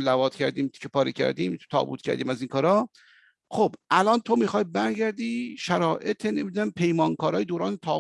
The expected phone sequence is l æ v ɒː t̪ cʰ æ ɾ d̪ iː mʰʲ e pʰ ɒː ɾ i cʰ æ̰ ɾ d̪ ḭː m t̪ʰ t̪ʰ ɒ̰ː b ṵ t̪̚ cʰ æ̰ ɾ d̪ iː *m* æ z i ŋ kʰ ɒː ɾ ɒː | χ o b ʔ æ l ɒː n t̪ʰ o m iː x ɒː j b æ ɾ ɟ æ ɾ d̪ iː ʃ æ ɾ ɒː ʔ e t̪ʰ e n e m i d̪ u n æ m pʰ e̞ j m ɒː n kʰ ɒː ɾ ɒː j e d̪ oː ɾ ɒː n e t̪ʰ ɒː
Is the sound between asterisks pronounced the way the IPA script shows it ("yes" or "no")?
yes